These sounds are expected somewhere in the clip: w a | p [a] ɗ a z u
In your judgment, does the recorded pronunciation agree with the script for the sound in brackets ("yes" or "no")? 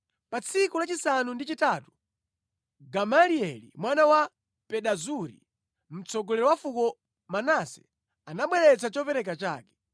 no